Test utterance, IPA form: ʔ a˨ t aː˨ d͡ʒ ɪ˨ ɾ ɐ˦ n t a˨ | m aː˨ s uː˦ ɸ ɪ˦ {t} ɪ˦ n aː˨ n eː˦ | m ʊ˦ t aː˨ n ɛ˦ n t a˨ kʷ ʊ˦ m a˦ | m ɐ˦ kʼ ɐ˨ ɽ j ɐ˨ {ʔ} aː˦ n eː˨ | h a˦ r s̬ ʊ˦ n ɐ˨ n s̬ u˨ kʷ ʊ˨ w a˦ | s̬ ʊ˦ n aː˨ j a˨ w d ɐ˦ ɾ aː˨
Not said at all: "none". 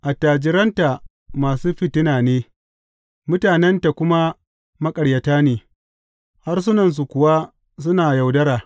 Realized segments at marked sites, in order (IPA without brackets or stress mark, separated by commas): t, t